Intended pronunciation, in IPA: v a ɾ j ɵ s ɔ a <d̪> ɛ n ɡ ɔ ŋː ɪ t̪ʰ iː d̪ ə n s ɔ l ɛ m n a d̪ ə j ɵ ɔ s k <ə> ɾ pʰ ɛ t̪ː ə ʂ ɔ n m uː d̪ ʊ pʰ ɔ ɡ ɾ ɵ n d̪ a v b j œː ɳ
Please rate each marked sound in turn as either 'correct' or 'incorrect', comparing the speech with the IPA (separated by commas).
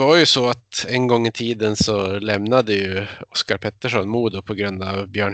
incorrect, incorrect